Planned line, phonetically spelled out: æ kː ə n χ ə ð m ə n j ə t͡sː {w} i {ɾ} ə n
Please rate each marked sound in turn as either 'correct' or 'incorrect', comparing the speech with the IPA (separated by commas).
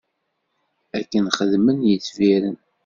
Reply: incorrect, correct